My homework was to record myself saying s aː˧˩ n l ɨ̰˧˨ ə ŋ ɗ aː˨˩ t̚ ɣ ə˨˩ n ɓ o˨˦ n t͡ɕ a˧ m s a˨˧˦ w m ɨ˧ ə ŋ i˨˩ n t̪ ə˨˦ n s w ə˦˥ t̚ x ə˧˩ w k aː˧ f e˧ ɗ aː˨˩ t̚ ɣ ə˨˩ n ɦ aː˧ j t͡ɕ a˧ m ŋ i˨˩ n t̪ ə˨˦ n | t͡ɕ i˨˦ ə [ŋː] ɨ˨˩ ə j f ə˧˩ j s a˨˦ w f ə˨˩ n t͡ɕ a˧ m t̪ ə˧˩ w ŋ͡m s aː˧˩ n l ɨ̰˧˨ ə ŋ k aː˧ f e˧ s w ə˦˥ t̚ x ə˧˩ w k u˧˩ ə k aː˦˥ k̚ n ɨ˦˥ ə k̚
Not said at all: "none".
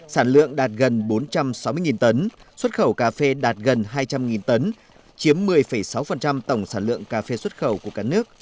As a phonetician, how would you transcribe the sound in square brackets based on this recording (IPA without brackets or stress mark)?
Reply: mː